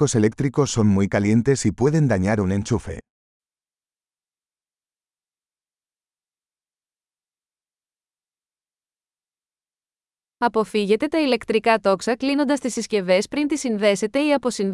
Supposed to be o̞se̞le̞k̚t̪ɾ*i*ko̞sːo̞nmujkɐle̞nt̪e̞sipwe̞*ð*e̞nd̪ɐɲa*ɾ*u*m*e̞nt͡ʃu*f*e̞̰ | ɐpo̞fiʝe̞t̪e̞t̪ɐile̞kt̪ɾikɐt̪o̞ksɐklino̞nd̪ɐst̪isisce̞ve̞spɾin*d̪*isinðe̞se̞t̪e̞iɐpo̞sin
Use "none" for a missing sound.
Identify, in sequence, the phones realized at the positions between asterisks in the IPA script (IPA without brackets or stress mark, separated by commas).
i, ð, ɾ, n, f, t̪